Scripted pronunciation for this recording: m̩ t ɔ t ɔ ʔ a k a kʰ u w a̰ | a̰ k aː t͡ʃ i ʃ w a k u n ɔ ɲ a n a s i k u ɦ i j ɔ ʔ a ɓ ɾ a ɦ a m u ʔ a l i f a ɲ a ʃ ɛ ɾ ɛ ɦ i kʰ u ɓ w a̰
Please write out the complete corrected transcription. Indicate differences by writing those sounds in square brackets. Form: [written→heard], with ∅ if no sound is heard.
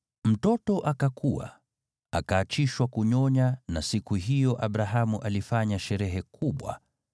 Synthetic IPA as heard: m̩ t ɔ t ɔ ʔ a k a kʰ u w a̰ | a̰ k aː t͡ʃ i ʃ w a k u [n→ɲ] ɔ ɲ a n a s i k u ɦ i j ɔ ʔ a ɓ ɾ a ɦ a m u ʔ a l i f a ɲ a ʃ ɛ ɾ ɛ ɦ [i→ɛ] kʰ u ɓ w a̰